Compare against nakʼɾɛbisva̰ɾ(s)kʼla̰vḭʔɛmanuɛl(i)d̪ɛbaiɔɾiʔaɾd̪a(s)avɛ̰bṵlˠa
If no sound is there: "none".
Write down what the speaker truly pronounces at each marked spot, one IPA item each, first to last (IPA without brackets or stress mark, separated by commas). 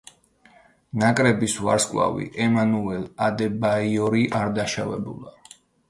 s, a, ʃ